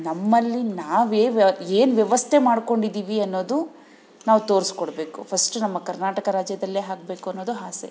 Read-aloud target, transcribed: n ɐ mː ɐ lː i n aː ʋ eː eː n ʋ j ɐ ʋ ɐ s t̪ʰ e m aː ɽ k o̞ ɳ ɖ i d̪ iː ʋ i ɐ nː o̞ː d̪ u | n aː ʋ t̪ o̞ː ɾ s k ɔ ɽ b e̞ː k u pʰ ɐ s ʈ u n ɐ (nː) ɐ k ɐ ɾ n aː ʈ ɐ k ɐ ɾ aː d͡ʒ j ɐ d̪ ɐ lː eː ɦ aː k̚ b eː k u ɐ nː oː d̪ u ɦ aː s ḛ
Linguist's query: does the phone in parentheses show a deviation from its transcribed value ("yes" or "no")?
yes